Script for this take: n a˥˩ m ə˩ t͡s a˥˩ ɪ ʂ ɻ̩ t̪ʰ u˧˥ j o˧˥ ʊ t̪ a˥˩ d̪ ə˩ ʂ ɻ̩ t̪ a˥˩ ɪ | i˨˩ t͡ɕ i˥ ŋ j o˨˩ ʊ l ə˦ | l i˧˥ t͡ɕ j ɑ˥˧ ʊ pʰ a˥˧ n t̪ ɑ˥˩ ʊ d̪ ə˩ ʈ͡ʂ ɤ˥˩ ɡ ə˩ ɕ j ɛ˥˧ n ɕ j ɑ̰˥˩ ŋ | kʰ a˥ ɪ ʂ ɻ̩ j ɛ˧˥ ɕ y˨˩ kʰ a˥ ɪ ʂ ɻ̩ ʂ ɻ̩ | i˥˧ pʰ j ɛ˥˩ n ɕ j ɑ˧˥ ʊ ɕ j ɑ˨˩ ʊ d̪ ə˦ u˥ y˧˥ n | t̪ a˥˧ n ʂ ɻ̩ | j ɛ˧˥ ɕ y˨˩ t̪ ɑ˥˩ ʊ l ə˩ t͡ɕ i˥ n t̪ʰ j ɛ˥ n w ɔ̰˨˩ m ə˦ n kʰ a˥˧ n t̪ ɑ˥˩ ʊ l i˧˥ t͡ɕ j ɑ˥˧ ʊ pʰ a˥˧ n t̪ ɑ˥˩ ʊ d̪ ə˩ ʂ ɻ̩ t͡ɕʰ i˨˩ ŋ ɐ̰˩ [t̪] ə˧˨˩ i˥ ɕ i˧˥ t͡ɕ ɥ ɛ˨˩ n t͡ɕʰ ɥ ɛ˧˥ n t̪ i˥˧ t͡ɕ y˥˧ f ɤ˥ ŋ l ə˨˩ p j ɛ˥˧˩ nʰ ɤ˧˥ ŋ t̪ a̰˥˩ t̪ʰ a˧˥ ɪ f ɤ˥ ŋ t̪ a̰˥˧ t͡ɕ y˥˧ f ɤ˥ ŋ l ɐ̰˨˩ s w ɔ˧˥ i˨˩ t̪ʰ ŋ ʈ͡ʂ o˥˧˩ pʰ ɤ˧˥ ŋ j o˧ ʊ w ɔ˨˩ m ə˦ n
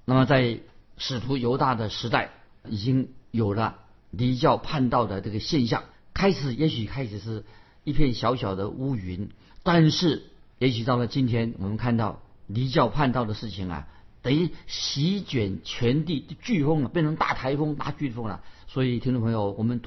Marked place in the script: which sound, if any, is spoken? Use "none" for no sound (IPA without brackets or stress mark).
t̪